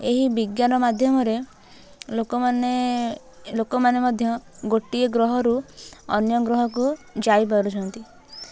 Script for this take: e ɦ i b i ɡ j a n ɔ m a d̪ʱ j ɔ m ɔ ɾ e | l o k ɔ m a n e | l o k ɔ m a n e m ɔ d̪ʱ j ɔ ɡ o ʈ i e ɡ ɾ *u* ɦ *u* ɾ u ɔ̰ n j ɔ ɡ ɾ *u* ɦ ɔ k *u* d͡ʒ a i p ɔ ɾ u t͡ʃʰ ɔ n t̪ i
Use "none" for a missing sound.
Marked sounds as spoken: ɔ, ɔ, ɔ, u

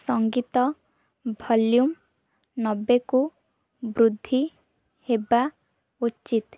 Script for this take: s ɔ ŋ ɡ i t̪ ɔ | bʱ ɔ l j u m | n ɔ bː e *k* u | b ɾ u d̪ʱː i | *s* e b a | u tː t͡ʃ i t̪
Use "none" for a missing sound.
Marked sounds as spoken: k, h

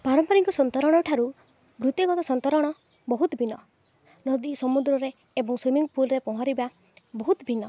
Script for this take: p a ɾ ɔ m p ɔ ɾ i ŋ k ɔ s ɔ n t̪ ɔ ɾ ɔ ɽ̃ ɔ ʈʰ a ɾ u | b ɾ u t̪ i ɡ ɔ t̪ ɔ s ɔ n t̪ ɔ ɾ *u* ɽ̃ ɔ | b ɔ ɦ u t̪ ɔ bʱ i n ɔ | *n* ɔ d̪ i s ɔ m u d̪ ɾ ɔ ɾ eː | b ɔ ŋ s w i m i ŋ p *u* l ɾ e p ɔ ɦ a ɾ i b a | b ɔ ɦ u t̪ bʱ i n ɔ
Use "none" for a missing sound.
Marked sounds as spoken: ɔ, n, u

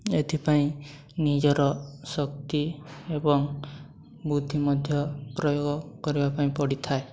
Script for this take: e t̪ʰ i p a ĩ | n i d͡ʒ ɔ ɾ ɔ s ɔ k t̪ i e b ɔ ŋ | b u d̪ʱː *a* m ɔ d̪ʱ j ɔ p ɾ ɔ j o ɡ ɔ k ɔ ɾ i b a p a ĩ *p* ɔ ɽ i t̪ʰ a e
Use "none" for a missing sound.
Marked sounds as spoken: i, p

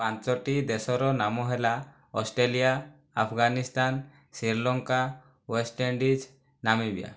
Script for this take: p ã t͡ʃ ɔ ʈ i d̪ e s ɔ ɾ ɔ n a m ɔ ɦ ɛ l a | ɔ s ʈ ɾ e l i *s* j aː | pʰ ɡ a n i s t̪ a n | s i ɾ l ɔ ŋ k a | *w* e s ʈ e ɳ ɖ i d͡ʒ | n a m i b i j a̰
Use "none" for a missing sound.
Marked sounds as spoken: none, w

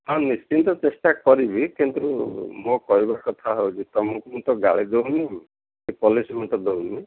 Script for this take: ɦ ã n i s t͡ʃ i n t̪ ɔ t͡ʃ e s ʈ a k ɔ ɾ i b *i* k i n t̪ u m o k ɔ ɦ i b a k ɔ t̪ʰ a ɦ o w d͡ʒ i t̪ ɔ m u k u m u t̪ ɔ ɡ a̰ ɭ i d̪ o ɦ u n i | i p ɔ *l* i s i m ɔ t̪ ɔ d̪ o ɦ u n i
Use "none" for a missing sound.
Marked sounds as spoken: i, l

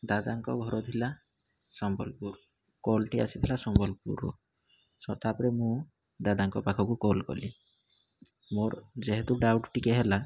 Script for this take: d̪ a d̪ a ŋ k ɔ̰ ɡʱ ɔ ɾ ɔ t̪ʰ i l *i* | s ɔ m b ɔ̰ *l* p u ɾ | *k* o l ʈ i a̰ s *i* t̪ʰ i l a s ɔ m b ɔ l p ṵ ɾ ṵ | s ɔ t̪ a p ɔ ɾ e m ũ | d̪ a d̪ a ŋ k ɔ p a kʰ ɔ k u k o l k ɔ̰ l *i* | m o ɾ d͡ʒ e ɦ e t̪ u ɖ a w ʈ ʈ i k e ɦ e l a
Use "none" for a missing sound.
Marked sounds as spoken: a, l, k, i, i

